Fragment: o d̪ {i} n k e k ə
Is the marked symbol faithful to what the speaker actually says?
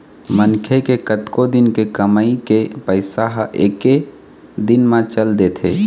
no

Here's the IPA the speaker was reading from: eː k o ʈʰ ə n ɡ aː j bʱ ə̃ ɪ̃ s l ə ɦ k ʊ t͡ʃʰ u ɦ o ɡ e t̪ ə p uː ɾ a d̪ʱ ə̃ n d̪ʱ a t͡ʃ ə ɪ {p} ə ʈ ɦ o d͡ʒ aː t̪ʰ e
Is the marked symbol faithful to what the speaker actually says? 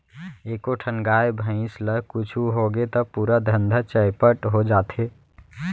yes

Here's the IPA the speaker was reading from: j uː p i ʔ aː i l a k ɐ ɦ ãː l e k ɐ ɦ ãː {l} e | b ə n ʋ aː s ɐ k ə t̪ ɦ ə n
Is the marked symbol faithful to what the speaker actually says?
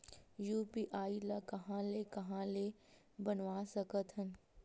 yes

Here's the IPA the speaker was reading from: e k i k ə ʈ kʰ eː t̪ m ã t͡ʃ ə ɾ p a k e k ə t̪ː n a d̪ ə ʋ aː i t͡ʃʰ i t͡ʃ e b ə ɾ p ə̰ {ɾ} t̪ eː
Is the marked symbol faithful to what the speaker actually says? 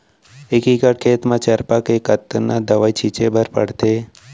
no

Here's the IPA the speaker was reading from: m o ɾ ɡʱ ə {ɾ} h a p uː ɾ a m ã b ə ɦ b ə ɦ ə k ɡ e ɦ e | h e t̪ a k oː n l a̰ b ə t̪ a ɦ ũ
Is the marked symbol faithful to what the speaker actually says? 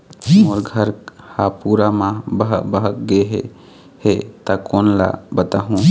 yes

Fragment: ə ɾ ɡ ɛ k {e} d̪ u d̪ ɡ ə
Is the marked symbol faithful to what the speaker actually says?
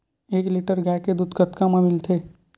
yes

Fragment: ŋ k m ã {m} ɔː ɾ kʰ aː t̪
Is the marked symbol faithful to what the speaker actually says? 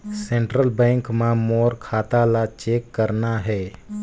yes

